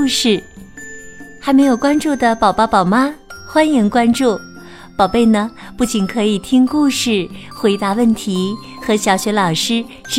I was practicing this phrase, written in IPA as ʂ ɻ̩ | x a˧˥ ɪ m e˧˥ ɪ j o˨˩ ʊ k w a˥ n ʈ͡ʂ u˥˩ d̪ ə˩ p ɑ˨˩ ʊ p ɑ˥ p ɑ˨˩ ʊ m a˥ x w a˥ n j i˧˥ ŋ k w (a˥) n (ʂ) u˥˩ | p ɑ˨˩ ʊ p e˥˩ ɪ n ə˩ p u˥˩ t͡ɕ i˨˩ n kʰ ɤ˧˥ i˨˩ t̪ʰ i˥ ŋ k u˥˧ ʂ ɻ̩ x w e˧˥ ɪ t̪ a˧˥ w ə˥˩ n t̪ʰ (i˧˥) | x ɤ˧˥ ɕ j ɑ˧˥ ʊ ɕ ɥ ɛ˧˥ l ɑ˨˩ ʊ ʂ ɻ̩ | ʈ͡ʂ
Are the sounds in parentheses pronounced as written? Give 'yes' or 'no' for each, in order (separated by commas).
yes, no, yes